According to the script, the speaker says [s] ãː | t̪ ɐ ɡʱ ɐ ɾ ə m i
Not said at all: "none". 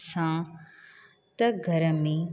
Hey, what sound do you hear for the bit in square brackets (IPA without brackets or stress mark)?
s